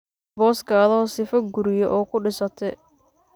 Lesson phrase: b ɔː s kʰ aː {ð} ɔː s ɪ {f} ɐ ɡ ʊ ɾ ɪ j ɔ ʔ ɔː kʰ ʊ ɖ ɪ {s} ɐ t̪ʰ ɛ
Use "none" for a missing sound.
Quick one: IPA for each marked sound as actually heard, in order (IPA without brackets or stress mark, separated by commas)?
ð, f, s